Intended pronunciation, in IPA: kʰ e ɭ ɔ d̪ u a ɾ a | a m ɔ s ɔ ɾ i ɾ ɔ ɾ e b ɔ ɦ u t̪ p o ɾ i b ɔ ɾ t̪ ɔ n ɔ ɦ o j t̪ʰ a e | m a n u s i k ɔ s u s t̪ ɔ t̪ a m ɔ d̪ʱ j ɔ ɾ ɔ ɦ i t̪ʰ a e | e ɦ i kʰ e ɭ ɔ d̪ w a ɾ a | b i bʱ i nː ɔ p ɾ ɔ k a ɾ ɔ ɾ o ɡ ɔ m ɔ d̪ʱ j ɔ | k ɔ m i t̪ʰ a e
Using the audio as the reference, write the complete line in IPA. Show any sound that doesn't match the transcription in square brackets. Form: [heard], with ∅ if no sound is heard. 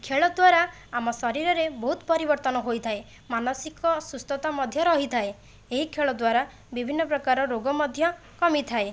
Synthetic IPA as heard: kʰ e ɭ ɔ d̪ [w] a ɾ a | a m ɔ s ɔ ɾ i ɾ ɔ ɾ e b ɔ ɦ u t̪ p [ɔ] ɾ i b ɔ ɾ t̪ ɔ n ɔ ɦ o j t̪ʰ a e | m a n [ɔ] s i k ɔ s u s t̪ ɔ t̪ a m ɔ d̪ʱ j ɔ ɾ ɔ ɦ i t̪ʰ a e | e ɦ i kʰ e ɭ ɔ d̪ w a ɾ a | b i bʱ i nː ɔ p ɾ ɔ k a ɾ ɔ ɾ o ɡ ɔ m ɔ d̪ʱ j ɔ | k ɔ m i t̪ʰ a e